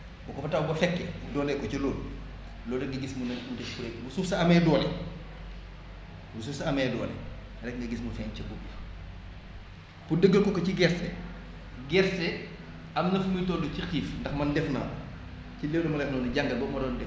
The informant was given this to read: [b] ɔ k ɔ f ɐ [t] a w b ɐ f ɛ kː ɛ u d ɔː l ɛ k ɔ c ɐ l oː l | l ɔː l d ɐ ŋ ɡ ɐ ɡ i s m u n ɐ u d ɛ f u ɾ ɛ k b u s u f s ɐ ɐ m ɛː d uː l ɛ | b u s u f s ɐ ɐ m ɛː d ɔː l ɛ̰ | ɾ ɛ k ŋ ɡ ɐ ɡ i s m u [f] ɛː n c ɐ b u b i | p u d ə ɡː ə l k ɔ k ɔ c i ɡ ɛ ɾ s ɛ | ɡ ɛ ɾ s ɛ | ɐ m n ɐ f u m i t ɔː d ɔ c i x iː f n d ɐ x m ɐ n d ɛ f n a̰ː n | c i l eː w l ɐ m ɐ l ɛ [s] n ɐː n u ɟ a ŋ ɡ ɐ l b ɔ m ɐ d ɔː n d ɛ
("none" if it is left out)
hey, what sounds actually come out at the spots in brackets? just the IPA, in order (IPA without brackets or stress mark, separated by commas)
b, t, f, f